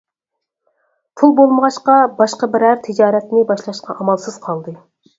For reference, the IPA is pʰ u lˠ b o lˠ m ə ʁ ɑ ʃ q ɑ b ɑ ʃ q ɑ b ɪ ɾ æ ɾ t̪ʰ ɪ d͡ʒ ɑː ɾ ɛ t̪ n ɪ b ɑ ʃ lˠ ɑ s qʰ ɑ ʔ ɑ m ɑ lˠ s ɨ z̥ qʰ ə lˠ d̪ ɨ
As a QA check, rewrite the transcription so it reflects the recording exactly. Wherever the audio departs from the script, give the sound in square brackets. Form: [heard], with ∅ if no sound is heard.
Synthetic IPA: pʰ u lˠ b o lˠ m ə ʁ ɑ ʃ q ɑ b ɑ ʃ q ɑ b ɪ ɾ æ ɾ t̪ʰ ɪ d͡ʒ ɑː ɾ ɛ t̪ n ɪ b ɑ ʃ lˠ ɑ [ʃ] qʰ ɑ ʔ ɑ m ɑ lˠ s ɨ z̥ qʰ [ɑ] lˠ d̪ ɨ